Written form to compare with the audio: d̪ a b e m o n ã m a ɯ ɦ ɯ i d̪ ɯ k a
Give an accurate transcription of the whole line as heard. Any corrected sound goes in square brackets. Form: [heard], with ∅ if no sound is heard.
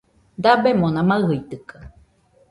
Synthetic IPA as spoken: d̪ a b e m o n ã m a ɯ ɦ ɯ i [t̪] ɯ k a